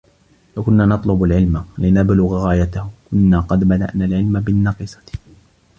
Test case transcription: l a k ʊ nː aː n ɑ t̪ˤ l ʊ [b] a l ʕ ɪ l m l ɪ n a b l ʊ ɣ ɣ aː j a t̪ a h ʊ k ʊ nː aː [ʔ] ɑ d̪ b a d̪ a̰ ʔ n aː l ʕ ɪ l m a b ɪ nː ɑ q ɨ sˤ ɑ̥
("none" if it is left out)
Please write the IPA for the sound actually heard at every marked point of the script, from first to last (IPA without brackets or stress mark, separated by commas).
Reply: b, q